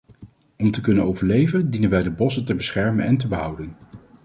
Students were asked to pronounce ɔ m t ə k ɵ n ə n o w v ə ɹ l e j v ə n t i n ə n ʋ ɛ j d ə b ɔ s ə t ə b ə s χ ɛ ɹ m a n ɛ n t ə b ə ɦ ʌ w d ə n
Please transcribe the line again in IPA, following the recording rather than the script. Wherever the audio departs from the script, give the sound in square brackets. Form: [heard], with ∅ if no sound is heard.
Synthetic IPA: ɔ m t ə k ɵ n ə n o w v ə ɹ l e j v ə n [d] i n ə n ʋ ɛ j d ə b ɔ s ə t ə b ə s χ ɛ ɹ m [ə] n ɛ n t ə b ə ɦ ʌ w d ə n